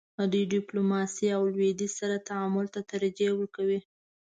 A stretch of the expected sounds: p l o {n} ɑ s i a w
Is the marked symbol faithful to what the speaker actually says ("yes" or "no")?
no